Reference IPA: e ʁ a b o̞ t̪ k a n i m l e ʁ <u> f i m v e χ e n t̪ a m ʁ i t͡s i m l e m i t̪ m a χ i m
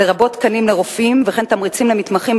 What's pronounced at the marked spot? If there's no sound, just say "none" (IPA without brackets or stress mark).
o